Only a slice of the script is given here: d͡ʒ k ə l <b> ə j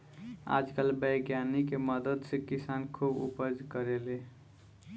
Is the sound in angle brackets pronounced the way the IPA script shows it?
yes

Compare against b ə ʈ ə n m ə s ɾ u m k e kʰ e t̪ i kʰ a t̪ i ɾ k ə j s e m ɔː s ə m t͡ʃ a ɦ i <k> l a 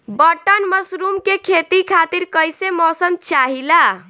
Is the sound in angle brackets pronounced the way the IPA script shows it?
no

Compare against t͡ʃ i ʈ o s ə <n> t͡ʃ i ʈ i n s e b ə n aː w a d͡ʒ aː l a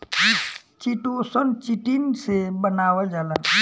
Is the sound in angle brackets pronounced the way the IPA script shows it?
yes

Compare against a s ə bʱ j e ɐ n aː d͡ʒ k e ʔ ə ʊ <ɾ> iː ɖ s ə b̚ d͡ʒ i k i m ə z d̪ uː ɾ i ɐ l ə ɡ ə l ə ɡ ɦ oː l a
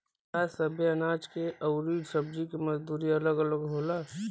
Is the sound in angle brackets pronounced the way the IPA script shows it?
yes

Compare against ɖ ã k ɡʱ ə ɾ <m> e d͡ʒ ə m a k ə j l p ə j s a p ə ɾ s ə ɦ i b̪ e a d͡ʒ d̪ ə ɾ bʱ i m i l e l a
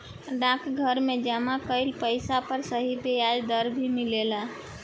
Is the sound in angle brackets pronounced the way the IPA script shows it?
yes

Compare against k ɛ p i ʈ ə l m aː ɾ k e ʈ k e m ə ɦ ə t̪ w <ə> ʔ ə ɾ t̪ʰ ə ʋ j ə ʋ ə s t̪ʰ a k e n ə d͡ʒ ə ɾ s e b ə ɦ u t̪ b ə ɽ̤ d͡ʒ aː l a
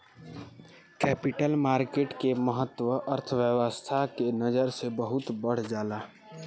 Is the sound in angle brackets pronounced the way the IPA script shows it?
yes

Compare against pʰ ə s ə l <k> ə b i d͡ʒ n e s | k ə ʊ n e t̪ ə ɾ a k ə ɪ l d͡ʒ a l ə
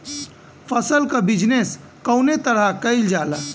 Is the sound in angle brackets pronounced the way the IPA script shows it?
yes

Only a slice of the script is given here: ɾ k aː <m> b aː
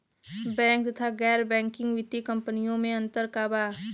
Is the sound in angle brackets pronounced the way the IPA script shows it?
no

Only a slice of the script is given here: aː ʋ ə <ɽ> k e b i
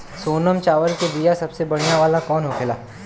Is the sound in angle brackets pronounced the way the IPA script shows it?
no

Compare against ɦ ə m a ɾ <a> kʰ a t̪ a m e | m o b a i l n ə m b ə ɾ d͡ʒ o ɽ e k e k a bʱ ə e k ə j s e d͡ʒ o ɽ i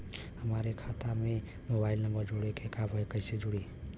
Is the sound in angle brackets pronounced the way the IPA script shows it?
no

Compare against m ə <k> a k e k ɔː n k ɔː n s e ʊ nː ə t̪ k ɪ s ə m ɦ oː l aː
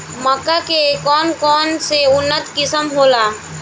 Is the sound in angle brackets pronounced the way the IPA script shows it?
yes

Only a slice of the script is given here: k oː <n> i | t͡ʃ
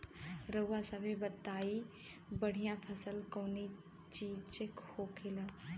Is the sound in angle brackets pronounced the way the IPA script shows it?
yes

